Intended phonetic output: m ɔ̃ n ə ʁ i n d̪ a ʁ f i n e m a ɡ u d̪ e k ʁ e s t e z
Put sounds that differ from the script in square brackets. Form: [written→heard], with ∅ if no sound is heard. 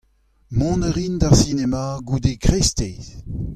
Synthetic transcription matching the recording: m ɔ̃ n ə ʁ i n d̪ a ʁ [f→s] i n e m a ɡ u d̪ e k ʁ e s t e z